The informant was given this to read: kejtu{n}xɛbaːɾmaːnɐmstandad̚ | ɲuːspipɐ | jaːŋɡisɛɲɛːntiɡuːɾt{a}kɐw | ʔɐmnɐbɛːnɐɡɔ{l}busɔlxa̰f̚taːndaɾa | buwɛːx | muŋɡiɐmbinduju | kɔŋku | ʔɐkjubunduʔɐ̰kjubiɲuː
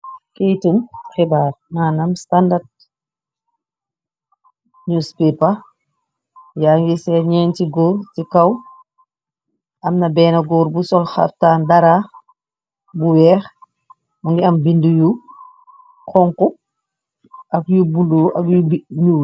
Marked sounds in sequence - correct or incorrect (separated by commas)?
incorrect, incorrect, incorrect